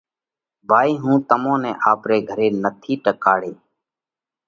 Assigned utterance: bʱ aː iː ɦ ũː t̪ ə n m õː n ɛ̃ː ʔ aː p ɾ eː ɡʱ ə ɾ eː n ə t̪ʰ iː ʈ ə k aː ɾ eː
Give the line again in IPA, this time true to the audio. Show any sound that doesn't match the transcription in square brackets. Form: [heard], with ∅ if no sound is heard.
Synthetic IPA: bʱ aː iː ɦ ũː t̪ ə [∅] m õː n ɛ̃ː ʔ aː p ɾ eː ɡʱ ə ɾ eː n ə t̪ʰ iː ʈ ə k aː [ɽ] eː

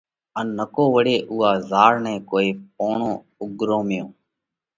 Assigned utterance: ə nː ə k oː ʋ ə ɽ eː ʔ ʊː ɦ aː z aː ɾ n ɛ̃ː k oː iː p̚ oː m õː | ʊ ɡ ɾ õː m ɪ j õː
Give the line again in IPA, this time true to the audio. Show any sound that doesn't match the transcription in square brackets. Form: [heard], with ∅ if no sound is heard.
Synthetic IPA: ə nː ə k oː ʋ ə ɽ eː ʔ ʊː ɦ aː z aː ɾ n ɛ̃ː k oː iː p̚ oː [ɳ] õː | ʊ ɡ ɾ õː m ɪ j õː

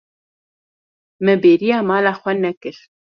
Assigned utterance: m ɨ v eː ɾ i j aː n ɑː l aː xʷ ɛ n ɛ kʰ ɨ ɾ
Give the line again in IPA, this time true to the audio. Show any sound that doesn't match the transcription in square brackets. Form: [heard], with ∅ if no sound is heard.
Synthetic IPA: m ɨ [b] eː ɾ i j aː [m] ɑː l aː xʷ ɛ n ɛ [k] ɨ ɾ

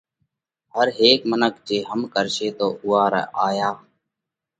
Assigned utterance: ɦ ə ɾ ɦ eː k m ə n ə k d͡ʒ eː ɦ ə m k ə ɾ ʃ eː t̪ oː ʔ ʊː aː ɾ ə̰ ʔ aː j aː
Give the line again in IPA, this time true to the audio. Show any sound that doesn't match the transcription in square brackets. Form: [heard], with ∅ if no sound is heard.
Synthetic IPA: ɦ ə ɾ ɦ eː k m ə n ə k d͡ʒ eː ɦ ə m k ə ɾ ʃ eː t̪ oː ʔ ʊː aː ɾ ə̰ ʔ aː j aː

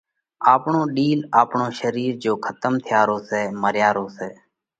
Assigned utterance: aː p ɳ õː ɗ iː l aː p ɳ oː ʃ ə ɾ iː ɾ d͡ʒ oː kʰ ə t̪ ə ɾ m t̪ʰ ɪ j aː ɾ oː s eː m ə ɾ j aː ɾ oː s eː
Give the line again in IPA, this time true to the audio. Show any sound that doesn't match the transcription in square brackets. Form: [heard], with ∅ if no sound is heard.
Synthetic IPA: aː p ɳ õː ɗ iː l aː p ɳ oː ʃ ə ɾ iː ɾ d͡ʒ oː kʰ ə t̪ ə [∅] m t̪ʰ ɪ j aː ɾ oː s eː m ə ɾ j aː ɾ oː s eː

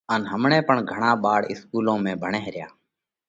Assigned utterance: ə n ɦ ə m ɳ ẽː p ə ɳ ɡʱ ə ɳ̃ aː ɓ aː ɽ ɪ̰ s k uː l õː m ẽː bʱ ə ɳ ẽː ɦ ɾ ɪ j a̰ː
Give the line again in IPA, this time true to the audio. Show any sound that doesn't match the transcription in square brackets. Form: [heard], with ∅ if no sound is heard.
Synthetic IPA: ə n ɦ ə m ɳ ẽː p ə ɳ ɡʱ ə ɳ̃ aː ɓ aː ɽ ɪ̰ s k uː l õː m ẽː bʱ ə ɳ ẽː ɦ ɾ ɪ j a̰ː

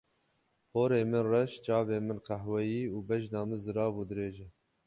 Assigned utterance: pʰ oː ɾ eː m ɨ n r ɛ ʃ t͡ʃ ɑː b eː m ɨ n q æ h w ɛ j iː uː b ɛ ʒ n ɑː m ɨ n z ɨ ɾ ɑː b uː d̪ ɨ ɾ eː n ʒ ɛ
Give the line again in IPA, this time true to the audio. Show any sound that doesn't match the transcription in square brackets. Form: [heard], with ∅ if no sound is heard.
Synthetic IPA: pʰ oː ɾ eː m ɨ n r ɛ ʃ t͡ʃ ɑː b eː m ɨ n q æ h w ɛ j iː uː b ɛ ʒ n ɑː m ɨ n z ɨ ɾ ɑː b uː d̪ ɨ ɾ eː [∅] ʒ ɛ

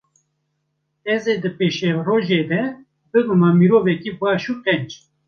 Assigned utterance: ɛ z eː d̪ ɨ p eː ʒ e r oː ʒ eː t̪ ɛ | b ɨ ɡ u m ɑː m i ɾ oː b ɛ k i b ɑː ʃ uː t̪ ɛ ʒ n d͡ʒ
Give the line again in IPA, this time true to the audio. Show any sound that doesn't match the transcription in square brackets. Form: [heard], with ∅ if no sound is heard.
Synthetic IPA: ɛ z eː d̪ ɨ p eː [ʃ] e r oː ʒ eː [d̪] ɛ | b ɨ ɡ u m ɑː m i ɾ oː [v] ɛ k i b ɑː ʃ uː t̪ ɛ [∅] n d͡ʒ

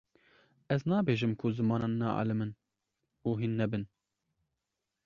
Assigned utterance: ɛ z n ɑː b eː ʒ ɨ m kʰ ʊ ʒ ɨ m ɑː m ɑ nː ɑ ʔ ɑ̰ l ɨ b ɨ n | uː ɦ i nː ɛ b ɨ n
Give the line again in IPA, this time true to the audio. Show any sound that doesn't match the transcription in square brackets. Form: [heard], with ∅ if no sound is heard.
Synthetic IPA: ɛ z n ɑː b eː ʒ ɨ m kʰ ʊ [z] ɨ m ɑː [n] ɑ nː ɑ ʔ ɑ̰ l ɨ [m] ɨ n | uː ɦ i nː ɛ b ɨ n

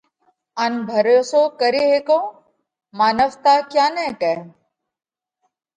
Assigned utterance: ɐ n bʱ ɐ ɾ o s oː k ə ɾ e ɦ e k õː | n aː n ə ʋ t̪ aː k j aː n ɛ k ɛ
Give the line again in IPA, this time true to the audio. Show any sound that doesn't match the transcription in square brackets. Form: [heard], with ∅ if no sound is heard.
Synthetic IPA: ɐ n bʱ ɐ ɾ o s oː k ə ɾ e ɦ e k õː | [m] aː n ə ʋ t̪ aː k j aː n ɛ k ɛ

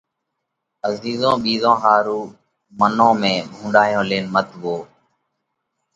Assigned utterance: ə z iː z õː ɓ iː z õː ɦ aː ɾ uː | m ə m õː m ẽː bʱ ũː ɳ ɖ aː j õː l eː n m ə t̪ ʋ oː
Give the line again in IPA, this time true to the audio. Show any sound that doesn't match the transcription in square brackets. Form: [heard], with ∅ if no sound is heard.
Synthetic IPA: ə z iː z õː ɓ iː z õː ɦ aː ɾ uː | m ə [n] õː m ẽː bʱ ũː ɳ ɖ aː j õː l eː n m ə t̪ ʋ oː

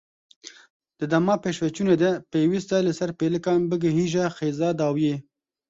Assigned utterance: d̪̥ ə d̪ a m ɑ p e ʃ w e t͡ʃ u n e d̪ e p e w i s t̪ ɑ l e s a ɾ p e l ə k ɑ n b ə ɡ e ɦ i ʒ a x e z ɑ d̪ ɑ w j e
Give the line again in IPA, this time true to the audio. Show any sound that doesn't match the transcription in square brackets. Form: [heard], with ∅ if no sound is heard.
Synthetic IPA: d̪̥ ə d̪ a m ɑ p e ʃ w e t͡ʃ u n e d̪ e p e w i s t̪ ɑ l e s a ɾ p e l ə k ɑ n b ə ɡ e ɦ i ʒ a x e z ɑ d̪ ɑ w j e

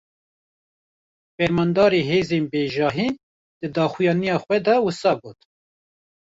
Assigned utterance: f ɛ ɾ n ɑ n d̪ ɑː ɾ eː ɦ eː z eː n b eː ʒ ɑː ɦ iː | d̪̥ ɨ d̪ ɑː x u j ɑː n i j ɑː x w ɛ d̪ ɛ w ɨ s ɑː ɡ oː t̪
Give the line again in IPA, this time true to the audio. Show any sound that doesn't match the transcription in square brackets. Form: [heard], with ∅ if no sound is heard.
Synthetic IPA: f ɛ ɾ [m] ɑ n d̪ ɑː ɾ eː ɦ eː z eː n b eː ʒ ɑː ɦ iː | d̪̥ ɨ d̪ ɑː x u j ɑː n i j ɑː x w ɛ d̪ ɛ w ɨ s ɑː ɡ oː t̪

